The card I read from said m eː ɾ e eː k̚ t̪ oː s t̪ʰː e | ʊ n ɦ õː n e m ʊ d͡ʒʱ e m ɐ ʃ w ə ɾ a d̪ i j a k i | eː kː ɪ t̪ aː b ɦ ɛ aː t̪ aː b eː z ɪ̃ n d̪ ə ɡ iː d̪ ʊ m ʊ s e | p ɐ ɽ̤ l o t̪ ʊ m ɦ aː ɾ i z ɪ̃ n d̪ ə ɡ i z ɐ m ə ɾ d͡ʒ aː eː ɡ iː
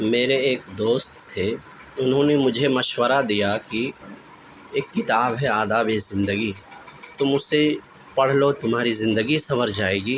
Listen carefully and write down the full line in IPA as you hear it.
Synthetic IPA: m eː ɾ e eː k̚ d̪ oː s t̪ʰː e | ʊ n ɦ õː n e m ʊ d͡ʒʱ e m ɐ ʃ w ə ɾ a d̪ i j a k i | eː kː ɪ t̪ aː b ɦ ɛ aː d̪ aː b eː z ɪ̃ n d̪ ə ɡ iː t̪ ʊ m ʊ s e | p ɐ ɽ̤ l o t̪ ʊ m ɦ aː ɾ i z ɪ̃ n d̪ ə ɡ i s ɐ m ə ɾ d͡ʒ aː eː ɡ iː